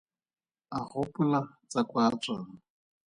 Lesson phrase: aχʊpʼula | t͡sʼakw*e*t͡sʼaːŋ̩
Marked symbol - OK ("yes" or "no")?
no